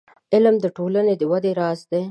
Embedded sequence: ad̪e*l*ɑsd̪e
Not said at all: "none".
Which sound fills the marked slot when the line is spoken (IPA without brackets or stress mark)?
ɾ